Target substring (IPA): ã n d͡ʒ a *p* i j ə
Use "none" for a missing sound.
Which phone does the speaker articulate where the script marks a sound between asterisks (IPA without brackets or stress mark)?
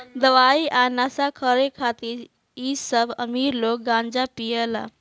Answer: p